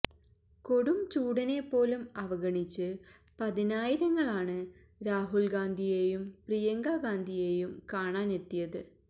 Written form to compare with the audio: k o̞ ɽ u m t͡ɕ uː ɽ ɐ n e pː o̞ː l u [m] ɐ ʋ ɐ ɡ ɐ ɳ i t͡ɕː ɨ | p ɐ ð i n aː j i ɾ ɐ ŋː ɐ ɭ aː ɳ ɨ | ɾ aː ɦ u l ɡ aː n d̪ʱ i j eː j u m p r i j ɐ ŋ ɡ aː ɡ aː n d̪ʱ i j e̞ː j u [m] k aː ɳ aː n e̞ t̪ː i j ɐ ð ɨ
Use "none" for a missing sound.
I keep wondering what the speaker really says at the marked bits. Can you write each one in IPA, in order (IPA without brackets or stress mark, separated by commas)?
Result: m, m